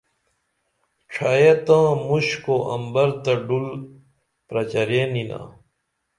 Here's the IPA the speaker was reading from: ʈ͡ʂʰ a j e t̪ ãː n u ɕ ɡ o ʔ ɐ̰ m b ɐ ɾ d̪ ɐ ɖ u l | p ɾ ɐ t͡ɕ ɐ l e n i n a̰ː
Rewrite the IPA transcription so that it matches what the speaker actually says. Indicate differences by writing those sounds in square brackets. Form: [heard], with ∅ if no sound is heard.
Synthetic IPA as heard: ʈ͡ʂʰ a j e t̪ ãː [m] u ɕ [k] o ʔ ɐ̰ m b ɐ ɾ [t̪] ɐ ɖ u l | p ɾ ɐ t͡ɕ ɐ [ɾ] e n i n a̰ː